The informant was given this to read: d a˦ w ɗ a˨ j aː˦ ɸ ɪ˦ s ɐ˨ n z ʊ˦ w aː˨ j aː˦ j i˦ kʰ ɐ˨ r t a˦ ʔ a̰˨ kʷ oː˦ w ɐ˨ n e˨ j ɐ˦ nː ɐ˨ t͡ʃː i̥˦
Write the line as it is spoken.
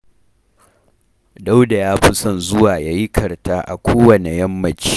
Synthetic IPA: d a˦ w d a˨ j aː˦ ɸ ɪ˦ s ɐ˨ n z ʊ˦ w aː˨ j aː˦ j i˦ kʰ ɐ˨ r t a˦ ʔ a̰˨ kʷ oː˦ w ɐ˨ n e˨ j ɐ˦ mː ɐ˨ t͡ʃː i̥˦